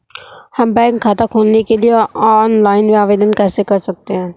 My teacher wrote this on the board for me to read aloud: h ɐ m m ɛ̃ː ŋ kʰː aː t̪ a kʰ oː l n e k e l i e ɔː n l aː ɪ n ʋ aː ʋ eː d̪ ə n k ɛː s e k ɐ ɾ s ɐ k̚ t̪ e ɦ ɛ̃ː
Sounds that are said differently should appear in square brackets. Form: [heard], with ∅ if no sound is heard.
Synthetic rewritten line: h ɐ m [b] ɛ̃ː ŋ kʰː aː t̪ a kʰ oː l n e k e l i e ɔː n l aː ɪ n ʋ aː ʋ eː d̪ ə n k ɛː s e k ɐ ɾ s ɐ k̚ t̪ e ɦ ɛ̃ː